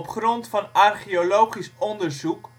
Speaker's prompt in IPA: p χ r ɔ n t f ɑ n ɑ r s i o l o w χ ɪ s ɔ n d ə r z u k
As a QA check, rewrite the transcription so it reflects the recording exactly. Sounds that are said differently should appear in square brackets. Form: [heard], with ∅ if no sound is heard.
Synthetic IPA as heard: p χ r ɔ n t f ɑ n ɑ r [χ] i o l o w χ [i] s ɔ n d ə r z u k